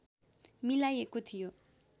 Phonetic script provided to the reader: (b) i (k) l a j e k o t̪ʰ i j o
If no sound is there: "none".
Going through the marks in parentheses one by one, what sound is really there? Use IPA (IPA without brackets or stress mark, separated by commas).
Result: m, none